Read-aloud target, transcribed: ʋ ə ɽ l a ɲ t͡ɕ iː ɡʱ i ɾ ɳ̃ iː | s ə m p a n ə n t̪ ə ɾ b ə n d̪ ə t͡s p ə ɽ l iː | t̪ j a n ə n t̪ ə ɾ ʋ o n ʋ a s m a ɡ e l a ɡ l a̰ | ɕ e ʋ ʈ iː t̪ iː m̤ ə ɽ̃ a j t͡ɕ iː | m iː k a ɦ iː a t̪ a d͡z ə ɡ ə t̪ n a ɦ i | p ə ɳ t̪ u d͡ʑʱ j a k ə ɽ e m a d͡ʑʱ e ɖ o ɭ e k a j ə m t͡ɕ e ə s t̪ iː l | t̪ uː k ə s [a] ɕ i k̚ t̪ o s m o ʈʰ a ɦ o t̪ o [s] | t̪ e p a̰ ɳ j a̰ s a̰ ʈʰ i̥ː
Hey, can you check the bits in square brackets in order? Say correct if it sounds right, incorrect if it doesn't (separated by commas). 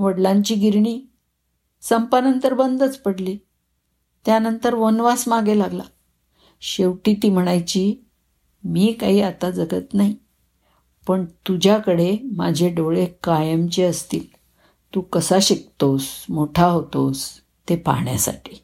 correct, correct